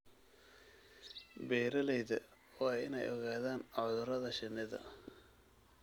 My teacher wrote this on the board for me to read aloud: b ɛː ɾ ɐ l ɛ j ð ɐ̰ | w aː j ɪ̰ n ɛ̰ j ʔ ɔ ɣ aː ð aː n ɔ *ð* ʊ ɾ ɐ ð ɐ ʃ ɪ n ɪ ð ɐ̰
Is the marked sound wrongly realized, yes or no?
no